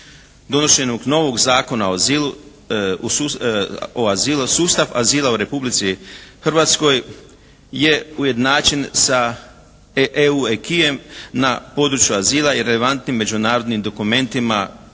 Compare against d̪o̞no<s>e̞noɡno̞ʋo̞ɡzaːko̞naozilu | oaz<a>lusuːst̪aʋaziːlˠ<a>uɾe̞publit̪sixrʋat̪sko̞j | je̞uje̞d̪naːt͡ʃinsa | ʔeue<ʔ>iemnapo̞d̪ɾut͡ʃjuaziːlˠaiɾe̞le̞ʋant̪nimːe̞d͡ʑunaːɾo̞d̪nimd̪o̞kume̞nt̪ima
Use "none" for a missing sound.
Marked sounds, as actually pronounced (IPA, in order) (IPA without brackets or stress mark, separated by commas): ʃ, i, a, k